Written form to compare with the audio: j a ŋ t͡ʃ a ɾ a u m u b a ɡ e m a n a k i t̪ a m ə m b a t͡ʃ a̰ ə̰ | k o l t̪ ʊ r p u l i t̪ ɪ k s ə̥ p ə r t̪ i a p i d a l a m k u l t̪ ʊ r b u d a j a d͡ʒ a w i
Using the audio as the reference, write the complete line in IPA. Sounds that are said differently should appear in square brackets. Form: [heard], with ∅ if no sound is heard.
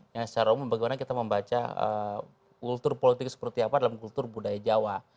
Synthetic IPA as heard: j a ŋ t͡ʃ a ɾ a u m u b a ɡ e m a n a k i t̪ a m ə m b a t͡ʃ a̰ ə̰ | k [u] l t̪ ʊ r p [o] l i t̪ ɪ k s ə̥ p ə r t̪ i a p [a] d a l a m k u l t̪ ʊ r b u d a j a d͡ʒ a w [a]